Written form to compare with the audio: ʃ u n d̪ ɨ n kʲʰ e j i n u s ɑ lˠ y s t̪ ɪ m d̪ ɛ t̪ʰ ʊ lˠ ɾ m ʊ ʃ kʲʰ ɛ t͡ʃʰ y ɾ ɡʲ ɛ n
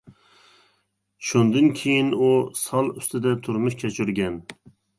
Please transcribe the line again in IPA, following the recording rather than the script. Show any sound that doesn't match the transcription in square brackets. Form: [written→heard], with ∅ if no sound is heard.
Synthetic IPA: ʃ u n d̪ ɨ n kʲʰ e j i n u s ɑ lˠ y s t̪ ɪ [m→∅] d̪ ɛ t̪ʰ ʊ [lˠ→∅] ɾ m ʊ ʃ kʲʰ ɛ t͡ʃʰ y ɾ ɡʲ ɛ n